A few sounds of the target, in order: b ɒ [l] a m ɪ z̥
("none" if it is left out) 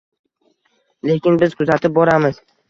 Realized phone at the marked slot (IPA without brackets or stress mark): ɾ